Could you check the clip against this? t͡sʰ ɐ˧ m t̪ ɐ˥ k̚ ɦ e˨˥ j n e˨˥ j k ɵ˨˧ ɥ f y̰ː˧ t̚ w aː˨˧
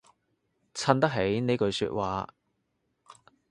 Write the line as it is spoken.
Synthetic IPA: t͡sʰ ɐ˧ n t̪ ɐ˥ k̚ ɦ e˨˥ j n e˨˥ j k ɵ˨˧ ɥ s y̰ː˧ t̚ w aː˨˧